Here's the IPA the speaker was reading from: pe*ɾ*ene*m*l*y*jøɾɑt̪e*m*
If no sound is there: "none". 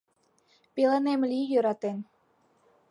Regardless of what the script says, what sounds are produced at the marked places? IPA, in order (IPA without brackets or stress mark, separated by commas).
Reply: l, m, i, n